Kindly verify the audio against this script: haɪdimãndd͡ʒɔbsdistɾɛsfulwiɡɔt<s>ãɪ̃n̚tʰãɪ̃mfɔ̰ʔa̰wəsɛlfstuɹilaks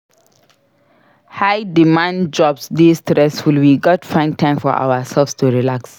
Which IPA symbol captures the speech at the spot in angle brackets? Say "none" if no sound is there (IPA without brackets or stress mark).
f